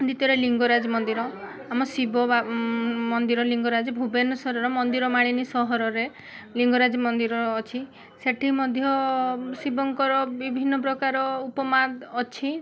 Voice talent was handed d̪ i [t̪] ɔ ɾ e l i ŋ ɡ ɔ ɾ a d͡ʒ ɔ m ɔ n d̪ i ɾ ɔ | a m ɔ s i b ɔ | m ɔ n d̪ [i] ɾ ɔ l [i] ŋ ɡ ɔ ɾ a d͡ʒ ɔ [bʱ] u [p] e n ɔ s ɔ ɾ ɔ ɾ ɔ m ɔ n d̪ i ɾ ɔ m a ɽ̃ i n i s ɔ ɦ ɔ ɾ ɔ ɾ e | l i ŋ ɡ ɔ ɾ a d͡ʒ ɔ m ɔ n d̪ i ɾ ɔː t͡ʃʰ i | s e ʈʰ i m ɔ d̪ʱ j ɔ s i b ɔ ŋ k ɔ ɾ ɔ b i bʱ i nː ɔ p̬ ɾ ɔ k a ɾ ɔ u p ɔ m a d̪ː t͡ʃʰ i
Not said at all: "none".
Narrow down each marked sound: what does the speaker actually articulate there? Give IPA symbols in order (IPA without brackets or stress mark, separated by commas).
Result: t̪, i, i, bʱ, b